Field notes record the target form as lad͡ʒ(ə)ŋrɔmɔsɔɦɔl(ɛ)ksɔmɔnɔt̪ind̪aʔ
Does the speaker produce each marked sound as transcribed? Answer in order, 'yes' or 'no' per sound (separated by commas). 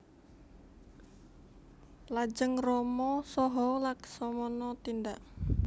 yes, no